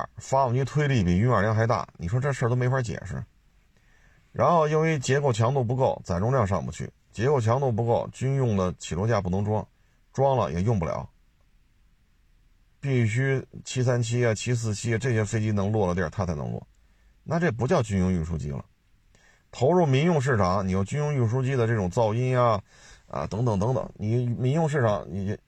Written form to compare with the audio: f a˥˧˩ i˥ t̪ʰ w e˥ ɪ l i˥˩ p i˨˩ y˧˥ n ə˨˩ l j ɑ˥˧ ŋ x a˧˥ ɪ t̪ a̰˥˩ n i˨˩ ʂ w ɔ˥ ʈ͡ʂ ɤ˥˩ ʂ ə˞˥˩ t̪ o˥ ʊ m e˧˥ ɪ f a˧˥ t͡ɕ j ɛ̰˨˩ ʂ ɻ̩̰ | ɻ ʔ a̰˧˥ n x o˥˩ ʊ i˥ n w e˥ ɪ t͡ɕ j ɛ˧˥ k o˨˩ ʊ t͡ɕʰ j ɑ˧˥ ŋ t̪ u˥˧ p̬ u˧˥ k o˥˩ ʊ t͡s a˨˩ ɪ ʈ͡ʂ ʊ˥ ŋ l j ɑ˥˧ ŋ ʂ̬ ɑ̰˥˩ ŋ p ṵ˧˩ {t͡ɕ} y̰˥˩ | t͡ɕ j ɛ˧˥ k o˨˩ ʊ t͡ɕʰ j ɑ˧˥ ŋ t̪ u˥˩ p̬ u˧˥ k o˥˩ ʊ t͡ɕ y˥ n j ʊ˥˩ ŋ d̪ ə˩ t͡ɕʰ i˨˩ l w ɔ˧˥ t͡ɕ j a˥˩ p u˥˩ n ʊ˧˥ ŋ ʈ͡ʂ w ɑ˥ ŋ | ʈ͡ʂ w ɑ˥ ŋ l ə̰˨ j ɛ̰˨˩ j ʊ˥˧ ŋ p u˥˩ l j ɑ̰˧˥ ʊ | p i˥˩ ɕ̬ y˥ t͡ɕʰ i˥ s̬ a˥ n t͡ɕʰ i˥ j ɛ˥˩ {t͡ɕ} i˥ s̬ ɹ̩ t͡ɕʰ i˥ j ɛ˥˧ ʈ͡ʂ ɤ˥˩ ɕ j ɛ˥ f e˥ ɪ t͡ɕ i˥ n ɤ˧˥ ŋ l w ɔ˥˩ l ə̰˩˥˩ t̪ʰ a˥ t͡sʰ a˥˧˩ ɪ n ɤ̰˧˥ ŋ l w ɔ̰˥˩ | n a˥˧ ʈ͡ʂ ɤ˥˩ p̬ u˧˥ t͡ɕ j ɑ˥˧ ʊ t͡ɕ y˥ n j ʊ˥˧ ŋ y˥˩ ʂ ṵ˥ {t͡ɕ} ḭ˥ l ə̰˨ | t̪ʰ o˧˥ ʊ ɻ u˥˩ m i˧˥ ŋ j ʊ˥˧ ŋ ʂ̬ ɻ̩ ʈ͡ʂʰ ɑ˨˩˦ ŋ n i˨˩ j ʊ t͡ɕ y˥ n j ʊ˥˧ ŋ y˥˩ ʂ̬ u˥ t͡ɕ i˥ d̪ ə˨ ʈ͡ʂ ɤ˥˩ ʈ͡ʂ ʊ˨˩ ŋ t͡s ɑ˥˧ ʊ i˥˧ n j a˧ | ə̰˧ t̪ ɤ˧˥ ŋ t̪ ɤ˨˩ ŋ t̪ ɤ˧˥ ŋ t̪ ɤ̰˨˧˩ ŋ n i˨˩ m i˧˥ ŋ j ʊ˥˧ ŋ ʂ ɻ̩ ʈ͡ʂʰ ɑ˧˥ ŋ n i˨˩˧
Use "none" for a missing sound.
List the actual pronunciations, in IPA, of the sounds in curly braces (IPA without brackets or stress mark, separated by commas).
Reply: t͡ɕʰ, t͡ɕʰ, t͡ɕ